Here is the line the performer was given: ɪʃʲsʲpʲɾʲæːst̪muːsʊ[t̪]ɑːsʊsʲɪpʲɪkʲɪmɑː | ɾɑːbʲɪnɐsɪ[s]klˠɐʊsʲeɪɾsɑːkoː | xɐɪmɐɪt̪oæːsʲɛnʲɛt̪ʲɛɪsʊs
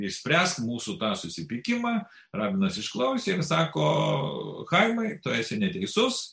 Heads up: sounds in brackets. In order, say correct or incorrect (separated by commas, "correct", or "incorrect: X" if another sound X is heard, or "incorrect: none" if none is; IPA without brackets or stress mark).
correct, incorrect: ʃ